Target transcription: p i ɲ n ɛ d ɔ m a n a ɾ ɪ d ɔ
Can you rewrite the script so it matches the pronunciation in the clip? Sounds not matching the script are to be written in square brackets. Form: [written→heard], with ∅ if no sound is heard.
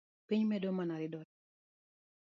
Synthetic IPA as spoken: p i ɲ [n→m] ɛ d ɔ m a n a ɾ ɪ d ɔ